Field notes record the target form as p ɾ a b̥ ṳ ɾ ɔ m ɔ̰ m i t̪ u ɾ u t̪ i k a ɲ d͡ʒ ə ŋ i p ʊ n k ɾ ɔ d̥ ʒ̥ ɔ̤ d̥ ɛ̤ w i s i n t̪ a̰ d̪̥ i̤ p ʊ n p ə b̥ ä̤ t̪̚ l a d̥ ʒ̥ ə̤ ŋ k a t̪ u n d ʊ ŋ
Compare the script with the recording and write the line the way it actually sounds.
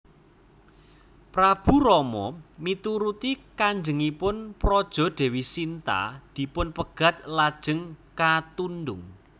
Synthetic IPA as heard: p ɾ a b̥ ṳ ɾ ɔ m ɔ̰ m i t̪ u ɾ u t̪ i k a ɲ d͡ʒ ə ŋ i p ʊ n p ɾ ɔ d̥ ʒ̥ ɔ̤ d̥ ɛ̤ w i s i n t̪ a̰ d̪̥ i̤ p ʊ n p ə ɡ̥ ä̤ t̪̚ l a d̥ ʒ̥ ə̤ ŋ k a t̪ u n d ʊ ŋ

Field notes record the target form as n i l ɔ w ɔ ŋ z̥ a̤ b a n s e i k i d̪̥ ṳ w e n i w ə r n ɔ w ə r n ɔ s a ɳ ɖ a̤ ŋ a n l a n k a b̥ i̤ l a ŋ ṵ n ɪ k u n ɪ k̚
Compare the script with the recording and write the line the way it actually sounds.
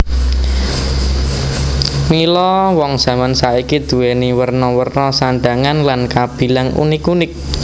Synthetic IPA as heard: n i l ɔ w ɔ ŋ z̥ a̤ m a n s a i k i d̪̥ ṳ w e n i w ə r n ɔ w ə r n ɔ s a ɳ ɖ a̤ ŋ a n l a n k a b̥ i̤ l a ŋ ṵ n ɪ k u n ɪ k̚

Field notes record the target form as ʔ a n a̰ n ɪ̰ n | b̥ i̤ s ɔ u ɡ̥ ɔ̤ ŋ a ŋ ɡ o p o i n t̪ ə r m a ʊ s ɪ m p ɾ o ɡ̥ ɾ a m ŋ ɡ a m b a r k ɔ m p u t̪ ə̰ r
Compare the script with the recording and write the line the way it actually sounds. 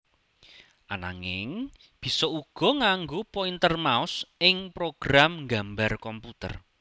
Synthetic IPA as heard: ʔ a n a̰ ŋ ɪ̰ ŋ | b̥ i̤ s ɔ u ɡ̥ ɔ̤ ŋ a ŋ ɡ o p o i n t̪ ə r m a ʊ s ɪ ŋ p ɾ o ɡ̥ ɾ a m ŋ ɡ a m b a r k ɔ m p u t̪ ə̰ r

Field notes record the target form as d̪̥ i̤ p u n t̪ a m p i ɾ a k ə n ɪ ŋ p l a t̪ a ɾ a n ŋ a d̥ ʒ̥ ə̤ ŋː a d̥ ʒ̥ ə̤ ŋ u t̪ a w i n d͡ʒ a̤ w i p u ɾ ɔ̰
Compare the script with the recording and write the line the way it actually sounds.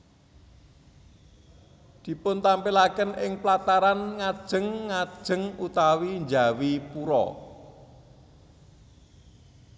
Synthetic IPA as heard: d̪̥ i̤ p ʊ n t̪ a m p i l a k ə n ɪ ŋ p l a t̪ a ɾ a n ŋ a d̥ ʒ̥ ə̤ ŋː a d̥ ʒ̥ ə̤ ŋ u t̪ a w i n d͡ʒ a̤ w i p u ɾ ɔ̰

